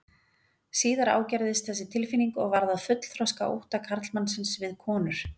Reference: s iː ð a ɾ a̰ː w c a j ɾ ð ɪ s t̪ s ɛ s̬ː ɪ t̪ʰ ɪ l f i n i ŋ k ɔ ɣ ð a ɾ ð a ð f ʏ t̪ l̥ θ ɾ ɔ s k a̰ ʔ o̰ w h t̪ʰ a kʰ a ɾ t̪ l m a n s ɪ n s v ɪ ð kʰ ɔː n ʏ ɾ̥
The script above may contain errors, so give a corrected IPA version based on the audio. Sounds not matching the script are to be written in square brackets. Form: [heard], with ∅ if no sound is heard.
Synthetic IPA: s iː ð a ɾ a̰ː w c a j ɾ ð ɪ s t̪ [θ] ɛ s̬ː ɪ t̪ʰ ɪ l f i n i ŋ k ɔ ɣ [v] a ɾ ð a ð f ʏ t̪ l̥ θ ɾ ɔ s k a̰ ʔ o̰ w h [t̪] a kʰ a ɾ t̪ l m a n s ɪ n s v ɪ ð kʰ ɔː n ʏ ɾ̥